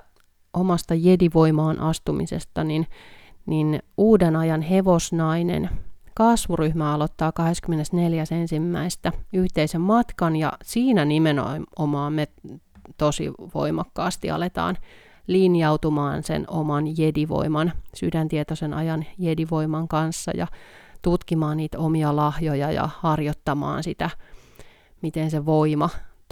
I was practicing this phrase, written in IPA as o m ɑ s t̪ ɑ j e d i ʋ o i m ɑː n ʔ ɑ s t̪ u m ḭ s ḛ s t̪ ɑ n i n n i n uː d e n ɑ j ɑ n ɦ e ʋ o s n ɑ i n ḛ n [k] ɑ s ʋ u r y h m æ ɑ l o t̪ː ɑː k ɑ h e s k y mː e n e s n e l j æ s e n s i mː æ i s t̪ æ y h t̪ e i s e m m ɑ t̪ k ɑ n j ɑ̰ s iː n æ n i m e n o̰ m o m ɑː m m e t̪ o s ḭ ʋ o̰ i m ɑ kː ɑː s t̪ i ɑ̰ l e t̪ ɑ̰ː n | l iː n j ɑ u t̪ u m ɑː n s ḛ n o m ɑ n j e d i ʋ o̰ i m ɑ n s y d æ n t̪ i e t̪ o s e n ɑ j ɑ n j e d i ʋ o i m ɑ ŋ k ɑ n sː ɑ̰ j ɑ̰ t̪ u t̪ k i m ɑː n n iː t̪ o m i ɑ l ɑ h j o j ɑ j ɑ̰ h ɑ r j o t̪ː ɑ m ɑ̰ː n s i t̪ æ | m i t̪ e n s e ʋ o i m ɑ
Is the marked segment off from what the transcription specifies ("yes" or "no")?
no